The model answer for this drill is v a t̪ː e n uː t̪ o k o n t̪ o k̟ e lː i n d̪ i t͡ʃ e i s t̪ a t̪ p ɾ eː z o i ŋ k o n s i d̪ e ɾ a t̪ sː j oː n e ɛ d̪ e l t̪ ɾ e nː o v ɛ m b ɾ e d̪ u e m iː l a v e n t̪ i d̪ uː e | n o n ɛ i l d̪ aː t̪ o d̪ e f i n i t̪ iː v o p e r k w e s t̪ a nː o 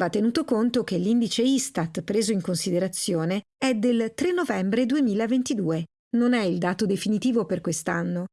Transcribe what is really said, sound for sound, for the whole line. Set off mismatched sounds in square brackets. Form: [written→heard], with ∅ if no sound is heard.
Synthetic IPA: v a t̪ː e n uː t̪ o k o n t̪ o k̟ e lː i n d̪ i t͡ʃ e i s t̪ a t̪ p ɾ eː z o i ŋ k o n s i d̪ e ɾ a t̪ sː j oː n e ɛ d̪ e l t̪ ɾ e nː o v ɛ m b ɾ e d̪ u e m iː l a v e n t̪ i d̪ uː e | n o n ɛ i l d̪ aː t̪ o d̪ e f i n i t̪ iː v o p e r k w e s t̪ a nː o